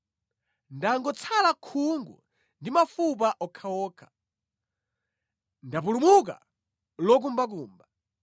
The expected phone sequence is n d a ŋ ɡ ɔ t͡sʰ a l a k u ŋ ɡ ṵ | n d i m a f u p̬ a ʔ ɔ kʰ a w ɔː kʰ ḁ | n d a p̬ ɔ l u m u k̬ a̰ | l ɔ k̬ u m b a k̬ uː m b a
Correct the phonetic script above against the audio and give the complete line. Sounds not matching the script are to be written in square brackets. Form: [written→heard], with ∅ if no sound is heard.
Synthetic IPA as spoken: n d a ŋ ɡ ɔ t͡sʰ a l a [k→kʰ] u ŋ ɡ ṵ | n d i m a f u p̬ a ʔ ɔ kʰ a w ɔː kʰ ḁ | n d a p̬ [ɔ→u] l u m u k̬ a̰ | l ɔ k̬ u m b a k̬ uː m b a